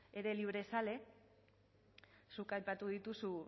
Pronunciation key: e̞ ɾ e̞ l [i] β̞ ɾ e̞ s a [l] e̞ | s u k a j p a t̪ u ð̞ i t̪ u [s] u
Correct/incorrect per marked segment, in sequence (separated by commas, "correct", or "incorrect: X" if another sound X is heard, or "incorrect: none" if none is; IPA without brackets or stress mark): correct, correct, correct